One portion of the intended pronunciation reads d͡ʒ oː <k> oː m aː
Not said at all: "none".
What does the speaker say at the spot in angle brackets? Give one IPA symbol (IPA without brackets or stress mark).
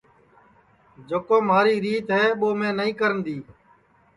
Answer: k